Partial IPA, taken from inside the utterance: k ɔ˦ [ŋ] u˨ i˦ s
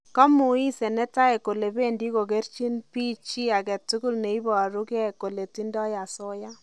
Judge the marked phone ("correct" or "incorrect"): incorrect